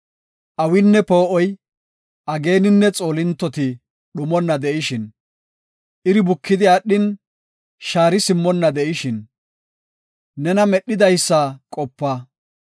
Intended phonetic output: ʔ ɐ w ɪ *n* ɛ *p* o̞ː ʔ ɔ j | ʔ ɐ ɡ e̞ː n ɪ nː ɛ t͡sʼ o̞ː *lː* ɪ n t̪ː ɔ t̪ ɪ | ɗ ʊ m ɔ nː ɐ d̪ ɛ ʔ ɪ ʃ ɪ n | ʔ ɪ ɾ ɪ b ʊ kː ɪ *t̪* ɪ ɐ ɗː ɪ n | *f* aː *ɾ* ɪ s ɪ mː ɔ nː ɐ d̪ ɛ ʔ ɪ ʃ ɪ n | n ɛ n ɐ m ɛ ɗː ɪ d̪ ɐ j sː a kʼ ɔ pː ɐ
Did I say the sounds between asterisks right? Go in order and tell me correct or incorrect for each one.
incorrect, correct, incorrect, incorrect, incorrect, correct

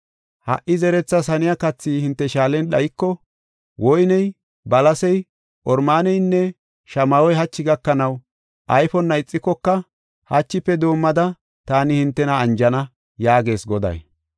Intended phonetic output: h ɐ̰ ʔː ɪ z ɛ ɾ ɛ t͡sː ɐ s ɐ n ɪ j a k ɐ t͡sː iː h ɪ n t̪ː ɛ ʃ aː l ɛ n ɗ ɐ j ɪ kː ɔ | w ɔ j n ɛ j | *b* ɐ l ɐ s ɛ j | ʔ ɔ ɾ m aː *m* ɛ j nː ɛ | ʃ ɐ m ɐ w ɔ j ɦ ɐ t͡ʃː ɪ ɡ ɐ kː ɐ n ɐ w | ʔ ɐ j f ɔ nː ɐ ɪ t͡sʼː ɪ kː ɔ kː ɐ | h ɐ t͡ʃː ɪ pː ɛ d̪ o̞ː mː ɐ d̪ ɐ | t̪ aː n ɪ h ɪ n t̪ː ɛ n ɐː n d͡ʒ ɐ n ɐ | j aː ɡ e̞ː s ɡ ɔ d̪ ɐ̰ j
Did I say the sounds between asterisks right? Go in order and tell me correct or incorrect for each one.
correct, incorrect

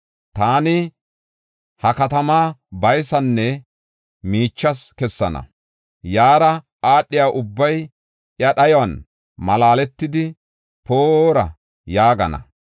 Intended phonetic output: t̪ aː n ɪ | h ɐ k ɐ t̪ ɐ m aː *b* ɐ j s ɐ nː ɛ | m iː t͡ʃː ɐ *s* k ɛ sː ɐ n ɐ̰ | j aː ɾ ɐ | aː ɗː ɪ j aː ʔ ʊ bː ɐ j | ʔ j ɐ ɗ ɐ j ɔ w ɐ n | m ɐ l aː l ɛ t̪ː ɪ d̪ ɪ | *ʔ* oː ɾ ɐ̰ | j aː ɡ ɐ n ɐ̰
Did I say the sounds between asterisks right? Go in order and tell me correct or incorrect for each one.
correct, correct, incorrect

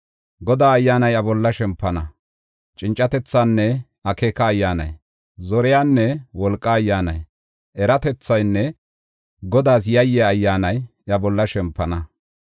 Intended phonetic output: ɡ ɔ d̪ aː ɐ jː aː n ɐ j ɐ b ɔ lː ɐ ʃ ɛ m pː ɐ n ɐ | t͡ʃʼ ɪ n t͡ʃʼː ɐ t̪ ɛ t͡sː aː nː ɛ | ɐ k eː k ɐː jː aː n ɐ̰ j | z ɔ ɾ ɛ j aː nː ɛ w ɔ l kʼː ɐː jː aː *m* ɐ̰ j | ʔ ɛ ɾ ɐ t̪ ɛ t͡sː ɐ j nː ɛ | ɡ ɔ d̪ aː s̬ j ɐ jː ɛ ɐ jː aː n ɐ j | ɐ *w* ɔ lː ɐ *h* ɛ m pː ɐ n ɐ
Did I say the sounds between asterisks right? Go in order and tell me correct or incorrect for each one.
incorrect, incorrect, incorrect

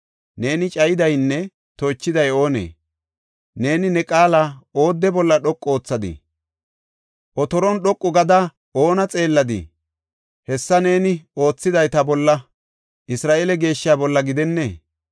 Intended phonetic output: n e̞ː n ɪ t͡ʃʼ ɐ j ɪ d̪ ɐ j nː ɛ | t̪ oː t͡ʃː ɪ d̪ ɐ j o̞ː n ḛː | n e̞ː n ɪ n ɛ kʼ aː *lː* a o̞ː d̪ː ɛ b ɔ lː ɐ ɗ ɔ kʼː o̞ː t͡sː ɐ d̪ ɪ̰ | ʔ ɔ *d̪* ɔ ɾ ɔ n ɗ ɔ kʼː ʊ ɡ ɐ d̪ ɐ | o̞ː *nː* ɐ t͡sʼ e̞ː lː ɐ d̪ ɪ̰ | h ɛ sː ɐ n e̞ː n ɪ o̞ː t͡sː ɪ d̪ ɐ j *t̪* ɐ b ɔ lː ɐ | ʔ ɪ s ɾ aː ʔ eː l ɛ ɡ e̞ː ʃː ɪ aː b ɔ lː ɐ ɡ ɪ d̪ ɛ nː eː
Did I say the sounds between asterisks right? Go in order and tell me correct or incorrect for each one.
incorrect, incorrect, incorrect, correct

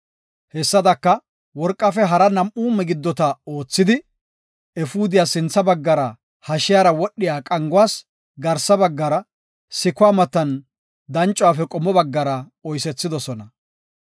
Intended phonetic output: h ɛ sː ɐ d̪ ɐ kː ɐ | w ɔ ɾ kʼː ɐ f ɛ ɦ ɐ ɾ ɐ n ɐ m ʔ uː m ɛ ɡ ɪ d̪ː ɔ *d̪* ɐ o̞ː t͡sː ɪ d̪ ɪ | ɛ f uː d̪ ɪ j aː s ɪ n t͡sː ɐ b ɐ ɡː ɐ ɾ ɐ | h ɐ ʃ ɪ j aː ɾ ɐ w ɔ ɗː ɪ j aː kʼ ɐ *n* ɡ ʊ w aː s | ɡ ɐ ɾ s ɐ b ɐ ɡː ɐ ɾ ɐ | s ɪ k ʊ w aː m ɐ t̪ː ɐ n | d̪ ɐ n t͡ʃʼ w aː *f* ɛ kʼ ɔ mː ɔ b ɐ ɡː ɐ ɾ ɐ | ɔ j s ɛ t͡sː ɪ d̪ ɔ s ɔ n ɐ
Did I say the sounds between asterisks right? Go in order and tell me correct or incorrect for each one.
incorrect, incorrect, correct

